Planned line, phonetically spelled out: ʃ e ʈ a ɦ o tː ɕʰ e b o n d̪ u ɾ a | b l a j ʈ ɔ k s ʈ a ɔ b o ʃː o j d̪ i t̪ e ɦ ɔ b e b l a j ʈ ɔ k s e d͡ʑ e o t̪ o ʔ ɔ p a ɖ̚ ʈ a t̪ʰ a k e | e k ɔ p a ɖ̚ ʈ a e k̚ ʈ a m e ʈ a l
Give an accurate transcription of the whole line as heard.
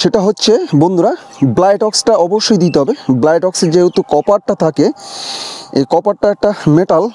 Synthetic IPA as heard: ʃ e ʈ a ɦ o tː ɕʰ e b o n d̪ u ɾ a | b l a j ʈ ɔ k s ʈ a ɔ b o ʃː o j d̪ i t̪ e ɦ ɔ b e b l a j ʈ ɔ k s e d͡ʑ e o t̪ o k ɔ p a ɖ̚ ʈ a t̪ʰ a k e | e k ɔ p a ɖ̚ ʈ a ɛ k̚ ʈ a m e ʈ a l